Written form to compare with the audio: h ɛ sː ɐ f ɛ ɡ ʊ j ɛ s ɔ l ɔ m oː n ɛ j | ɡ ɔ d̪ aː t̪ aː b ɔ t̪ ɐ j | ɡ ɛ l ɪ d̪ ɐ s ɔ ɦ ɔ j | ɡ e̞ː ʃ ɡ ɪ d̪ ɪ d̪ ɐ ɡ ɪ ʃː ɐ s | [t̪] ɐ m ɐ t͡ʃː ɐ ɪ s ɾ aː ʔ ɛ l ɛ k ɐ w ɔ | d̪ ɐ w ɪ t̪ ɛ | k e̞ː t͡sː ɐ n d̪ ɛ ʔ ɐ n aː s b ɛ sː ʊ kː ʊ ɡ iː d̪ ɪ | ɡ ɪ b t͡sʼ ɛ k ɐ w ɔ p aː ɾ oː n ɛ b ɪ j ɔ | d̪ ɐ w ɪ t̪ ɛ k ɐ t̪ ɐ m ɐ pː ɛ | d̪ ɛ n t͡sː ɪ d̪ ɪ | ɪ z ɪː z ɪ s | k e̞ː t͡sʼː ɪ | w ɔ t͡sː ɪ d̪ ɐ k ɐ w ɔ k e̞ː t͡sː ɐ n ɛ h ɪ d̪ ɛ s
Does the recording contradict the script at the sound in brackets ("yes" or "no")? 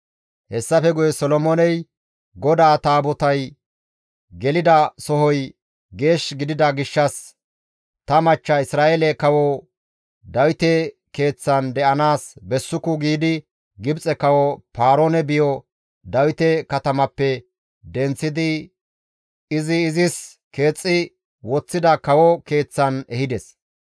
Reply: no